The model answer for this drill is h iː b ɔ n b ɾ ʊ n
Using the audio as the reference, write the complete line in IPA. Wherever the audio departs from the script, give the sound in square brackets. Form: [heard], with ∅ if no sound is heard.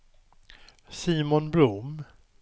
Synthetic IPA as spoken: [s] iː [m] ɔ n b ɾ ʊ [m]